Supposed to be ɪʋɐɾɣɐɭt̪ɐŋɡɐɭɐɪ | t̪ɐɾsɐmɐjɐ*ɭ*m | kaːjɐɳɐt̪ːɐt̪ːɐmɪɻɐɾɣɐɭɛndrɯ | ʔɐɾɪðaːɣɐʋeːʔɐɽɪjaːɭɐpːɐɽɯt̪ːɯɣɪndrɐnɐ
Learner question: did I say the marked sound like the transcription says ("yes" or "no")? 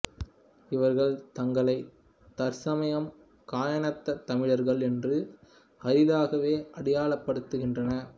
no